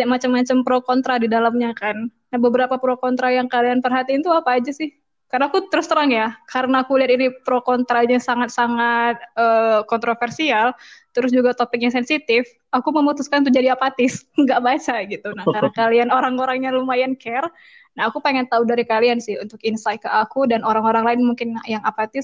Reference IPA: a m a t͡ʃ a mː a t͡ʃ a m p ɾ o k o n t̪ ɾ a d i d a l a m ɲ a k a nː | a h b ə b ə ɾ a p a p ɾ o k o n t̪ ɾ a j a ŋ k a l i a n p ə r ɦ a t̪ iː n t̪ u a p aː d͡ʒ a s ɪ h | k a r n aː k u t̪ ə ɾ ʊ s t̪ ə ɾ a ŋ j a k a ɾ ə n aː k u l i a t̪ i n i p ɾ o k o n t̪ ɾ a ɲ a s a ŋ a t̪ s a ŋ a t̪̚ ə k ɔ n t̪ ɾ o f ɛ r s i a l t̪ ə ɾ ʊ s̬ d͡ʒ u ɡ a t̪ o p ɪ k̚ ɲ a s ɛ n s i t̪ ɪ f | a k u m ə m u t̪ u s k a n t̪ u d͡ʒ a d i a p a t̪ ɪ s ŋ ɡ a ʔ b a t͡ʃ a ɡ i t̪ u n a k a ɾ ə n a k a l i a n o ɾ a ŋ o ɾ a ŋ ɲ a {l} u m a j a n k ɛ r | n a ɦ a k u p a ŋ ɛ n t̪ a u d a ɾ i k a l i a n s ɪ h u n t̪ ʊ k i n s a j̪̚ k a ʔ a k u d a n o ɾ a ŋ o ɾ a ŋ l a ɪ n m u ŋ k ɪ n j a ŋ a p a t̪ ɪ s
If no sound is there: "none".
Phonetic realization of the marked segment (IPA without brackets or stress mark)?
l